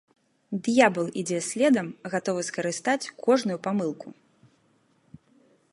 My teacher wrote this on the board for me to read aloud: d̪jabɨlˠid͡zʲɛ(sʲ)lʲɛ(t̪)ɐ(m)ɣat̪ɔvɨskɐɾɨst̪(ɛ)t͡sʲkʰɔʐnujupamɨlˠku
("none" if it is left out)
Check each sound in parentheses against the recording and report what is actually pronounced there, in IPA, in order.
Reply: sʲ, d̪, m, a

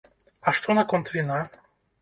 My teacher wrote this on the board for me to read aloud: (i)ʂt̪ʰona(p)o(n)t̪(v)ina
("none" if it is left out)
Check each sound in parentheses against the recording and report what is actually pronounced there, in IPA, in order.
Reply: a, k, n, v

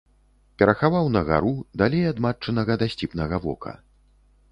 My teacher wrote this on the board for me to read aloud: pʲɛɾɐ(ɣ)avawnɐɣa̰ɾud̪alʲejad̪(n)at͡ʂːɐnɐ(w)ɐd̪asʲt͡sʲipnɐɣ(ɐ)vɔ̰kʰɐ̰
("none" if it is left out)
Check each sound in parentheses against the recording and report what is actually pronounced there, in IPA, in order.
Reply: x, m, ɣ, ɐ

